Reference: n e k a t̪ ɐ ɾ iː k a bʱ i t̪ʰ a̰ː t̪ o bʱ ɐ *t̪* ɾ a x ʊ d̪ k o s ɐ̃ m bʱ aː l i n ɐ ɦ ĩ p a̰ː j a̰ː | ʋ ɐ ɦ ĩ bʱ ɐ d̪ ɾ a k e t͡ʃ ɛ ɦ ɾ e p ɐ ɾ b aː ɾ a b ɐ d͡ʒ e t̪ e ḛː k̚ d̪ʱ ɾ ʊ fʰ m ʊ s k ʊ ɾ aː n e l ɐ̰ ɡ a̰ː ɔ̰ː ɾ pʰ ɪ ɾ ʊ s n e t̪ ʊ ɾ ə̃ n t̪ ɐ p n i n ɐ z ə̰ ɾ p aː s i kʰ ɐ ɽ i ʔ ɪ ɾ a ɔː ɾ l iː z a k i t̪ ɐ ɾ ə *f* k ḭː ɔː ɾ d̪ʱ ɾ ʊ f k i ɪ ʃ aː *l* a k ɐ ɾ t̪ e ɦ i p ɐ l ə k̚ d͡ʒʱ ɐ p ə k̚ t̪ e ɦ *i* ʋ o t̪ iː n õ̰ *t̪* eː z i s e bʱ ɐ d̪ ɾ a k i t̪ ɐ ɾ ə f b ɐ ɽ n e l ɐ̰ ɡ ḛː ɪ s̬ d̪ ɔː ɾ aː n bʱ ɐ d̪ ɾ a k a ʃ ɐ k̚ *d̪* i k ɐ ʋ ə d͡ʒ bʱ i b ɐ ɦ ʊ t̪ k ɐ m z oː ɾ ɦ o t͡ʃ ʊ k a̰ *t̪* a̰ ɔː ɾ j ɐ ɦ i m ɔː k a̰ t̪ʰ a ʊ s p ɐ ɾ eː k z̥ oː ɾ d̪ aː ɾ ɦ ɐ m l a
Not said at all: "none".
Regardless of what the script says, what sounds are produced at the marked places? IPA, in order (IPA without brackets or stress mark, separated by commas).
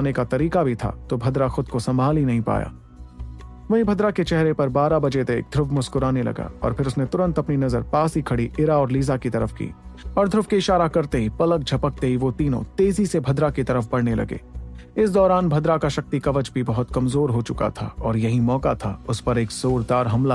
d̪, f, ɾ, i, t̪, t̪, t̪ʰ